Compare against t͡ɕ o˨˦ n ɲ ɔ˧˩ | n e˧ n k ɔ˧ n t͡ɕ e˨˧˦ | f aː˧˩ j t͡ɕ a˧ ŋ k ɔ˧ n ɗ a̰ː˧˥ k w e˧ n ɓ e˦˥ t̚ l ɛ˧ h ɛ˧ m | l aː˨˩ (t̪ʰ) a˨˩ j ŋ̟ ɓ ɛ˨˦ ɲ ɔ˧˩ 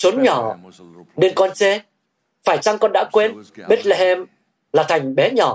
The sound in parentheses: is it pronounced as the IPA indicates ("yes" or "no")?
yes